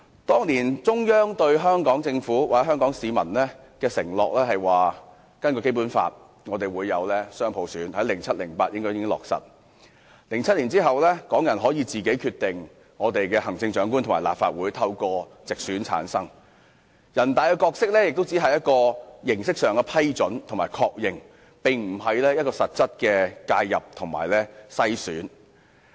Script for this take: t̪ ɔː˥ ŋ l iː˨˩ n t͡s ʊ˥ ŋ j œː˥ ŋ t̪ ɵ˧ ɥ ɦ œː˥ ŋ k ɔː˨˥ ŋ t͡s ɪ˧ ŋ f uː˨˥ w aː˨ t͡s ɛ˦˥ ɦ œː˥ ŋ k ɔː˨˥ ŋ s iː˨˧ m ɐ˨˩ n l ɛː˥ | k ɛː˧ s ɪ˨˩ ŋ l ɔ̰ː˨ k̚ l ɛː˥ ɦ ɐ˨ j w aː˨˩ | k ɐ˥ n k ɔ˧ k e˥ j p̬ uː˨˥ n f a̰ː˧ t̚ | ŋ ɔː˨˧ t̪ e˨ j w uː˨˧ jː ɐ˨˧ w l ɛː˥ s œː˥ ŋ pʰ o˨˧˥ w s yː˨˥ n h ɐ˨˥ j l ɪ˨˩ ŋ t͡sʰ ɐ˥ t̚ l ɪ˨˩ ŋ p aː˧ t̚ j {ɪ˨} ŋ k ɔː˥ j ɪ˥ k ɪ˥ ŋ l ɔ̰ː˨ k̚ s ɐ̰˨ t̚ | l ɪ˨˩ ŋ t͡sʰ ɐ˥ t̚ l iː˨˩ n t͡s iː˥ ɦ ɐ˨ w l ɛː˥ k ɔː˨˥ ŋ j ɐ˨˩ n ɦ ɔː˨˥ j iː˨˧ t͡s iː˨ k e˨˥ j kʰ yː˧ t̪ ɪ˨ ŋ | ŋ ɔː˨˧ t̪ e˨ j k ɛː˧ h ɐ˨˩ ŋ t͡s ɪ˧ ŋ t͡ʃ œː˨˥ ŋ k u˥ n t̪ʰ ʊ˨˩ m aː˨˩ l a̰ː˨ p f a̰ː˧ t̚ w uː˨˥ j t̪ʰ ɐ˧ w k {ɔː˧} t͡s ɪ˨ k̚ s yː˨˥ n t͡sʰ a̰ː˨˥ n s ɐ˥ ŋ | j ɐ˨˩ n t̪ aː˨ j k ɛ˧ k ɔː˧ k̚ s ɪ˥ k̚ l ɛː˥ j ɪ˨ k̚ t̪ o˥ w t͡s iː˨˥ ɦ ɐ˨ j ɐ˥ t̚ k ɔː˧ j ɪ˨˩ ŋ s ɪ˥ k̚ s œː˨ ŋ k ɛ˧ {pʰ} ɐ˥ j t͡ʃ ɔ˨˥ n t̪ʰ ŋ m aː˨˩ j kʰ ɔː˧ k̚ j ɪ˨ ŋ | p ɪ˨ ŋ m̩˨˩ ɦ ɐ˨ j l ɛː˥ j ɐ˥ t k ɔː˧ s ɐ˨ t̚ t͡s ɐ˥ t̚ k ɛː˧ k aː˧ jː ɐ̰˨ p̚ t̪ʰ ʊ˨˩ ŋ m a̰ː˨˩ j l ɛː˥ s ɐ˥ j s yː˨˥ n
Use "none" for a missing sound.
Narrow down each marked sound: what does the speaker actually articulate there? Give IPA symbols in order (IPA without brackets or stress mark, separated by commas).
ɪ˥, ɔː˧, pʰ